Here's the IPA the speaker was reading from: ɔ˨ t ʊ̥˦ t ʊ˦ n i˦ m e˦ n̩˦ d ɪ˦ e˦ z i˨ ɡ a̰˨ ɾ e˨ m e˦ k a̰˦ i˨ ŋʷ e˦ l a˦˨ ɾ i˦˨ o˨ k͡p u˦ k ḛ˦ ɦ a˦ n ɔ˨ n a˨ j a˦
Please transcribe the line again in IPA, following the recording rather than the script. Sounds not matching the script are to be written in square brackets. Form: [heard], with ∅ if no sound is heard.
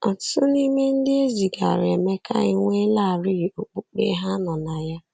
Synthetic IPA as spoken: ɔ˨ t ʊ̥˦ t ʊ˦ n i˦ m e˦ n̩˦ d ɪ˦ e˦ z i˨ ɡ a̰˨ ɾ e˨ m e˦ k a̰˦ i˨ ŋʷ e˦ l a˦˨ ɾ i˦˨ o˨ k͡p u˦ [k͡p] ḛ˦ ɦ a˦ n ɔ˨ n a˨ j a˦